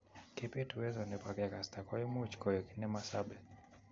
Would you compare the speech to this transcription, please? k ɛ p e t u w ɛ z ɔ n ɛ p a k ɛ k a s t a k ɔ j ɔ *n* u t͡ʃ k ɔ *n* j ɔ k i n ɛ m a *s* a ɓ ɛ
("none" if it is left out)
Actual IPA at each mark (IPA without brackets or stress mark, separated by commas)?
m, none, s